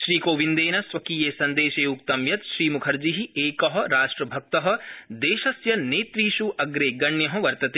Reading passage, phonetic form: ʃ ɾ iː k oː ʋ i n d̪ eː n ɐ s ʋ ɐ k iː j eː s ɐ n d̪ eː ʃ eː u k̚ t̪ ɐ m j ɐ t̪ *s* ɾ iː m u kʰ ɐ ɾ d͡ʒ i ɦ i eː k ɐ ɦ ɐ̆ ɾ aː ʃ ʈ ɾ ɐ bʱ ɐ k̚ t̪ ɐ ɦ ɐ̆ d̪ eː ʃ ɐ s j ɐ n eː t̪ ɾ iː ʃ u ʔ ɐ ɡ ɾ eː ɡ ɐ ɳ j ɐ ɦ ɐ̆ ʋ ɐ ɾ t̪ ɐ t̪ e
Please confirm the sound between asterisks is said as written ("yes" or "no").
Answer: no